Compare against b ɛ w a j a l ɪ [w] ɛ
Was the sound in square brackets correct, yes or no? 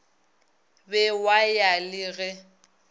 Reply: no